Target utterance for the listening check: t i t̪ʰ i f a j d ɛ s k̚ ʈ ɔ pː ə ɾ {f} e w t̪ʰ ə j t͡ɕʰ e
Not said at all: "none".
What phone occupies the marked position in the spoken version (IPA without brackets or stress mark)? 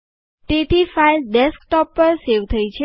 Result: s